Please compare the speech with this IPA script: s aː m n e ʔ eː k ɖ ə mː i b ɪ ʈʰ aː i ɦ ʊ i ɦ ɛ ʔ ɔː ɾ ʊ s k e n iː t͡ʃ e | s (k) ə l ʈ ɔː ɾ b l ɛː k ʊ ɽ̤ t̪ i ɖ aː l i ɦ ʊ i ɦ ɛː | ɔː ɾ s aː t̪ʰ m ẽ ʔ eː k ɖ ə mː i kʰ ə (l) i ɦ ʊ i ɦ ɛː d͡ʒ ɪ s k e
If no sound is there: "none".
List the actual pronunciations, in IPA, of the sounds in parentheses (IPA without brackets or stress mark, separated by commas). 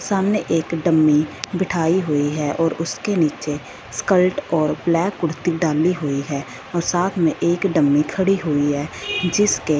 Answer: k, ɽ